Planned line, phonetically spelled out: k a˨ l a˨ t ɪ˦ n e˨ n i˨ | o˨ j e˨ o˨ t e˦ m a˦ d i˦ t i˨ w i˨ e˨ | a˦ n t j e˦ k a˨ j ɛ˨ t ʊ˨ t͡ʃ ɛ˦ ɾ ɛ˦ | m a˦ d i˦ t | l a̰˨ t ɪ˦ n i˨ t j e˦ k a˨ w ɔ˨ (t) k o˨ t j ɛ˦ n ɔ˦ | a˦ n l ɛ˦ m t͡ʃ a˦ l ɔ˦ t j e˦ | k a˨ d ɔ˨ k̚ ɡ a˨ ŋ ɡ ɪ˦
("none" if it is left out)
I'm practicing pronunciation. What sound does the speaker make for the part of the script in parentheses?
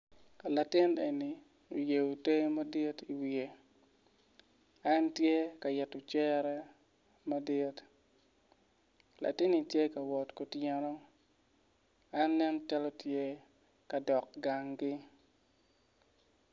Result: t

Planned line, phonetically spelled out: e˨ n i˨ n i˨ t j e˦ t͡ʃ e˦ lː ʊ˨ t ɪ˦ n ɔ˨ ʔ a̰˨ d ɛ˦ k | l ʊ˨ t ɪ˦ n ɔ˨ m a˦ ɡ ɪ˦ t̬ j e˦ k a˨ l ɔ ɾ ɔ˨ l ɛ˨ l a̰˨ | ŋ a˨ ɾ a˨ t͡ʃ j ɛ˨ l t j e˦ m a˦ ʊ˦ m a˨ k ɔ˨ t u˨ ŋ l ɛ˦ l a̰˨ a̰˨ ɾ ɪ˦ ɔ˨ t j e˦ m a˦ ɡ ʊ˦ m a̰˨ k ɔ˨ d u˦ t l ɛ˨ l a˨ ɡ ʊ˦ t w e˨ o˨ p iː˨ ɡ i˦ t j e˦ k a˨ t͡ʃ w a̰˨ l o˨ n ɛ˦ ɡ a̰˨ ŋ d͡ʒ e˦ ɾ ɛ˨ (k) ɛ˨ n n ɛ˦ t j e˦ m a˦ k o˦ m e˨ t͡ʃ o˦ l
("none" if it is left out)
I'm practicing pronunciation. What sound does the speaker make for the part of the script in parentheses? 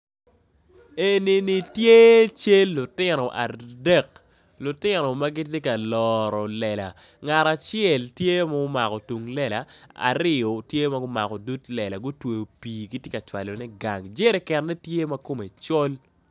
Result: k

